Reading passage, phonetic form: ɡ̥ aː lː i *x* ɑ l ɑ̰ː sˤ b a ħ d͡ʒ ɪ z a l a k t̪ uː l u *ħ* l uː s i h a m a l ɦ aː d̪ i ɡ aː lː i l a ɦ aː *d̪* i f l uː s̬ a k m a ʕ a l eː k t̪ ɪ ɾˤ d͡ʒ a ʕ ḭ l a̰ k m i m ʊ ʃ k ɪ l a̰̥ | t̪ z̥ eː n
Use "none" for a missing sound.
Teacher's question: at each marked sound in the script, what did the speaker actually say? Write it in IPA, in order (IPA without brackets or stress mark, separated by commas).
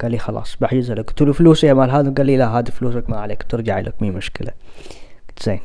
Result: x, f, d̪